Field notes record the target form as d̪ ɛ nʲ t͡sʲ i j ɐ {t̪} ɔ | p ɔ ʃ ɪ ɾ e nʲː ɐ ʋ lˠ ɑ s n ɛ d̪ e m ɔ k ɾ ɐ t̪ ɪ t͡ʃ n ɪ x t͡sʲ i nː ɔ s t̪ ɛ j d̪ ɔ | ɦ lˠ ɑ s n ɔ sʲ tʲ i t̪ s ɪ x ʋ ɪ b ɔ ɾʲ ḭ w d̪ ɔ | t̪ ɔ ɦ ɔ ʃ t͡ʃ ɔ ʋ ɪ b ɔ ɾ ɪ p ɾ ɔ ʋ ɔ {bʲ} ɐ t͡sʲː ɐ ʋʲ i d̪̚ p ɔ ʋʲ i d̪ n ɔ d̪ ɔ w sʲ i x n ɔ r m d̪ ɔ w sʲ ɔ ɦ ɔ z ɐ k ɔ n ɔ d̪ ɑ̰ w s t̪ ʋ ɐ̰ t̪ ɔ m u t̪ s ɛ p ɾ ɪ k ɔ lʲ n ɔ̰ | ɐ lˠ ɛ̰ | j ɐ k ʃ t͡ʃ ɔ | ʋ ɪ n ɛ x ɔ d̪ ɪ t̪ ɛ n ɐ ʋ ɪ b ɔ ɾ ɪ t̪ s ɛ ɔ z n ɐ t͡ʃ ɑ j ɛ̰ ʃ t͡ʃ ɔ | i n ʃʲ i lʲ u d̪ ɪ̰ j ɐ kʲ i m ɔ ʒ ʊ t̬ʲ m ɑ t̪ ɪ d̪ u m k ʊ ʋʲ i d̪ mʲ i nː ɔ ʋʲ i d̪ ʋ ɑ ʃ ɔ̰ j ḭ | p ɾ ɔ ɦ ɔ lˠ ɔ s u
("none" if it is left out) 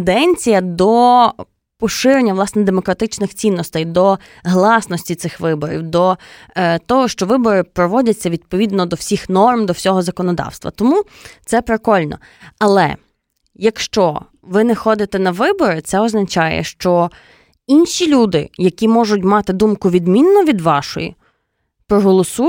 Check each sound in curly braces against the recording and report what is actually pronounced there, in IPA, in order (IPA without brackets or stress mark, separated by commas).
d̪, dʲ